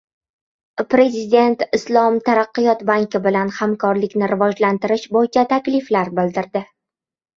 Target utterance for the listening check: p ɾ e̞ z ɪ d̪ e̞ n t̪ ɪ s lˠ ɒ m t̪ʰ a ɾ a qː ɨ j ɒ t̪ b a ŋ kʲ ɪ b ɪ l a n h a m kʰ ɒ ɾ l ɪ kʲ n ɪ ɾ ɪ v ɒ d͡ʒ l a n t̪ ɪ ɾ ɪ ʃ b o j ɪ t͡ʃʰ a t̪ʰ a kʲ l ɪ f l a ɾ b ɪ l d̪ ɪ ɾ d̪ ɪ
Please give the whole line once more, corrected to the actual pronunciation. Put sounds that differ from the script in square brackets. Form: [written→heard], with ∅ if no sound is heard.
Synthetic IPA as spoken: p ɾ e̞ z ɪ d̪ e̞ n t̪ ɪ s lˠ ɒ m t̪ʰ a ɾ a qː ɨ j ɒ t̪ b a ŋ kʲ ɪ b ɪ l a n h a m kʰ ɒ ɾ l ɪ kʲ n ɪ ɾ ɪ v ɒ d͡ʒ l a n t̪ ɪ ɾ ɪ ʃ b o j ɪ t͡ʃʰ a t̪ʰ a kʲ l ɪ f l a ɾ b ɪ l d̪ ɪ ɾ d̪ ɪ